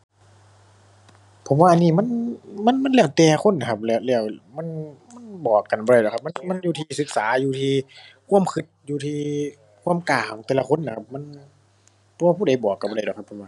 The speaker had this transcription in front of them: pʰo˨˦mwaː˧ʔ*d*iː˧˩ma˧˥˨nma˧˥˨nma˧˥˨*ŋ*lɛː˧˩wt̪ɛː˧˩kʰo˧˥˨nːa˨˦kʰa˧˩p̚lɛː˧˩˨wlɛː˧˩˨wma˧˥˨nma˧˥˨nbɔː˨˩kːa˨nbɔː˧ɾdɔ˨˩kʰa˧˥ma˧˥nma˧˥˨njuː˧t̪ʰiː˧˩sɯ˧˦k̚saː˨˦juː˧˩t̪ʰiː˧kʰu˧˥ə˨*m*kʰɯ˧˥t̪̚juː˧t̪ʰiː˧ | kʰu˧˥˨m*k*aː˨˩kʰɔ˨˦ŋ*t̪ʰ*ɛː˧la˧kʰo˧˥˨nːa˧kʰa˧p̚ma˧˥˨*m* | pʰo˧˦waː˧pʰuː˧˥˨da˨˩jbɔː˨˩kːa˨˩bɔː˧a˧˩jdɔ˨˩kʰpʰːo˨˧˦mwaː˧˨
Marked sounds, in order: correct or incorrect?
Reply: incorrect, incorrect, correct, correct, incorrect, incorrect

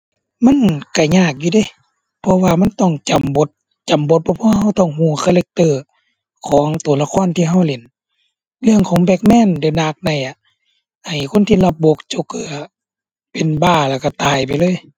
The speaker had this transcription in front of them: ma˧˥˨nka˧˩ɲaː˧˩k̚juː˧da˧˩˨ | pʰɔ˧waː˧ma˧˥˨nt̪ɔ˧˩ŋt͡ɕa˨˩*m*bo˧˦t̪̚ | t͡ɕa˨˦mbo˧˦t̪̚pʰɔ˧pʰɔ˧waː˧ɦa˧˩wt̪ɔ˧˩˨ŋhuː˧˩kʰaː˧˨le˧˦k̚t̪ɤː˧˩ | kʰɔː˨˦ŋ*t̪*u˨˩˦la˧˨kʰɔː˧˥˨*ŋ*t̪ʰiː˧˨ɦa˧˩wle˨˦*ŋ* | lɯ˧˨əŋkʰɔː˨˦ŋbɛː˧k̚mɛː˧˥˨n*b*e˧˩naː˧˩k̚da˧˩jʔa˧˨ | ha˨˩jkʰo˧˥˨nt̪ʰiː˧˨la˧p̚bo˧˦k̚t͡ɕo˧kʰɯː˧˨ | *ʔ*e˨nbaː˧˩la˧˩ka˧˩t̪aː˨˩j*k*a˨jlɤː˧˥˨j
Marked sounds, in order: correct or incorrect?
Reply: correct, correct, incorrect, incorrect, incorrect, incorrect, incorrect

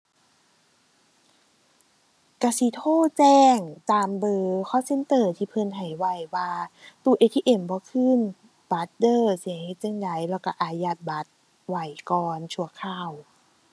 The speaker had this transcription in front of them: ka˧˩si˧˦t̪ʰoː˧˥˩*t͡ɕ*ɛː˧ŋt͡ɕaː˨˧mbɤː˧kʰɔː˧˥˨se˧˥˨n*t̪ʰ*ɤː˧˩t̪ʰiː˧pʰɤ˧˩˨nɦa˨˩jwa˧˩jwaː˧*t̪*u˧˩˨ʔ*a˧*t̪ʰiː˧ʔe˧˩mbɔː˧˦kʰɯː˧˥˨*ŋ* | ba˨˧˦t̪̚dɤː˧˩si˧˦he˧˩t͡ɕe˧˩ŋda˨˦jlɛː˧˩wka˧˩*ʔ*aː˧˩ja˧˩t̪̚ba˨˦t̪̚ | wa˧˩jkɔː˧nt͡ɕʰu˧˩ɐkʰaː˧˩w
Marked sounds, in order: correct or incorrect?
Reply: correct, incorrect, correct, incorrect, incorrect, correct

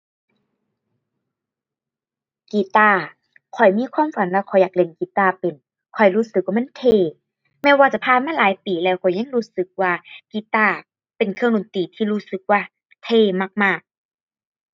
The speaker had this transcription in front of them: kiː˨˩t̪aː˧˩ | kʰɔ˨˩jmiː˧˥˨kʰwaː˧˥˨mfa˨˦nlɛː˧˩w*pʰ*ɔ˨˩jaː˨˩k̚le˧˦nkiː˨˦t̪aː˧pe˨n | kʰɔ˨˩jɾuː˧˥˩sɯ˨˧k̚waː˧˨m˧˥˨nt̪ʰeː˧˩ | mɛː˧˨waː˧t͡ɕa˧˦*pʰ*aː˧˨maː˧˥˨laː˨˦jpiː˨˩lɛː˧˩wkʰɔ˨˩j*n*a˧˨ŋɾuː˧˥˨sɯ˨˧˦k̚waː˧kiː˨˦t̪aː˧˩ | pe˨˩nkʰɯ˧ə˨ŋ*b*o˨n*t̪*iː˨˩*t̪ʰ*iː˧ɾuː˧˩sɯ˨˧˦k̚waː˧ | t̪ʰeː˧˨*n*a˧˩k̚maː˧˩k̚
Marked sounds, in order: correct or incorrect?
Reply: incorrect, correct, incorrect, incorrect, correct, correct, incorrect

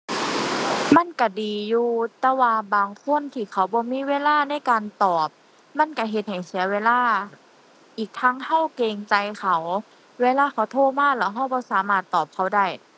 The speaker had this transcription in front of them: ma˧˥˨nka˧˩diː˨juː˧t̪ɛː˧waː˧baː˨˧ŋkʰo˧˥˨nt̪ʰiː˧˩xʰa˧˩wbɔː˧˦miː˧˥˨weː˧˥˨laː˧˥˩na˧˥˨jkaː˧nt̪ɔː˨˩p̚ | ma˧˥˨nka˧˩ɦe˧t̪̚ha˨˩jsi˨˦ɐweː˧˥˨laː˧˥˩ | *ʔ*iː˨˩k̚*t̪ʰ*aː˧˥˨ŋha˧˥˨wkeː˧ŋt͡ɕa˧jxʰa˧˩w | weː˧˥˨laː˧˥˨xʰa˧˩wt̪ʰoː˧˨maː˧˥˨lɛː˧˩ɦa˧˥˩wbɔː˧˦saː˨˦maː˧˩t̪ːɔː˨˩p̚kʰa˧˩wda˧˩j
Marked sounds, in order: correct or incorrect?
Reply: correct, correct

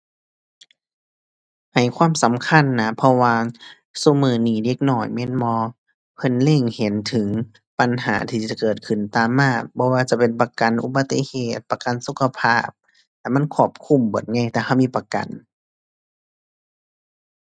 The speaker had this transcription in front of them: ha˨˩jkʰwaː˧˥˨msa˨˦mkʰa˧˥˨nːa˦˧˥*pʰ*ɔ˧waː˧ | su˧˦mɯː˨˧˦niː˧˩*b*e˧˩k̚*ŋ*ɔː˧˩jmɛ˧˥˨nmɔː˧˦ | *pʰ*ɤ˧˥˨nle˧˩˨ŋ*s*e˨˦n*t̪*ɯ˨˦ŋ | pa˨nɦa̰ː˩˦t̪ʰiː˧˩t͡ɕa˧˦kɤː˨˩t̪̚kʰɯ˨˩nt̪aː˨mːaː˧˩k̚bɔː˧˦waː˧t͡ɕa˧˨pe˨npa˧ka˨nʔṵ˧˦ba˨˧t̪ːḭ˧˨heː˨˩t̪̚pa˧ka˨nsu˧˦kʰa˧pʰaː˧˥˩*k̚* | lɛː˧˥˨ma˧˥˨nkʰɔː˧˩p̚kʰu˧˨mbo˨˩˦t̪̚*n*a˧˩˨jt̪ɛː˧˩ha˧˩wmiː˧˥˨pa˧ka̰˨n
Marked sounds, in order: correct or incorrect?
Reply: correct, incorrect, incorrect, correct, incorrect, incorrect, incorrect, incorrect

